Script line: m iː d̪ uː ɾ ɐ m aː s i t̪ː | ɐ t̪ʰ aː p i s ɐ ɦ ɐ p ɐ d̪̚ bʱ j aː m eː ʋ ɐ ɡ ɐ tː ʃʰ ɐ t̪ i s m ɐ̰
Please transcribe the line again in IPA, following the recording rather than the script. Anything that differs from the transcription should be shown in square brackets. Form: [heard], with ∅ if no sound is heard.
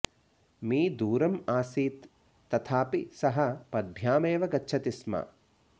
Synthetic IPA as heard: m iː d̪ uː ɾ ɐ m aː s [iː] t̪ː | ɐ t̪ʰ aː p i s ɐ ɦ ɐ p ɐ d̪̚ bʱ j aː m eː ʋ ɐ ɡ ɐ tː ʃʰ ɐ t̪ i s m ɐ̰